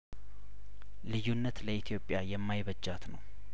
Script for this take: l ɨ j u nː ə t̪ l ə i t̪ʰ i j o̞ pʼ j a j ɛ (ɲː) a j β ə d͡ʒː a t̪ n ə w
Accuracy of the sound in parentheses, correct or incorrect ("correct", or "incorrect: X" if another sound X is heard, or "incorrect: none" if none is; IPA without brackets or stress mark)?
incorrect: mː